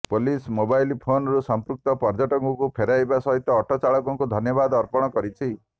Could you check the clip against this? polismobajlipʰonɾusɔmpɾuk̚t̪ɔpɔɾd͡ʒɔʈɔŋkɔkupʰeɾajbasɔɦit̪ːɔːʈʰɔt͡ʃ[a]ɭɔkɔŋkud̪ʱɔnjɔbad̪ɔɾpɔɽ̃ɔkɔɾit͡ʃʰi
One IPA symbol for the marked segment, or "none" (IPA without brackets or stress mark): a